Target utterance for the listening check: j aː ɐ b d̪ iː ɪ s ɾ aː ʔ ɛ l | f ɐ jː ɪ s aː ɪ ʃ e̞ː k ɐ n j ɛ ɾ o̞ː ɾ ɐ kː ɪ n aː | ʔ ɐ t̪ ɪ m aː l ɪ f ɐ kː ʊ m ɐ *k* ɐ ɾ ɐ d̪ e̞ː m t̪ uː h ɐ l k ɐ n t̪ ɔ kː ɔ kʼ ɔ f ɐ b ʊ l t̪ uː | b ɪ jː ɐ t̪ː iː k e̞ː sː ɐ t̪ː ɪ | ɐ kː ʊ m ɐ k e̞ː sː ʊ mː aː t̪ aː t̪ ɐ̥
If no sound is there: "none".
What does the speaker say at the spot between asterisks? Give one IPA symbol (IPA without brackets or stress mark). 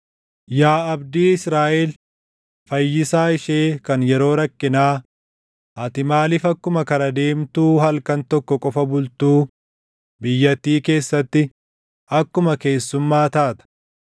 k